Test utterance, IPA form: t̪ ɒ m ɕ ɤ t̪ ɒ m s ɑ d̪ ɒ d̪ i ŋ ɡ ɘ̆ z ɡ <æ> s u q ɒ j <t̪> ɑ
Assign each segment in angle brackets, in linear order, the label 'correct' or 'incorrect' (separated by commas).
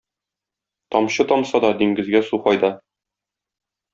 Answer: correct, incorrect